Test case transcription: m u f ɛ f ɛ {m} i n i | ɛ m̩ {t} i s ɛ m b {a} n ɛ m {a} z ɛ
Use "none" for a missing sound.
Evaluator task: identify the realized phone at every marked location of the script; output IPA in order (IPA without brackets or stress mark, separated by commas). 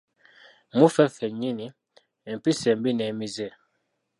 ɲ, p, i, i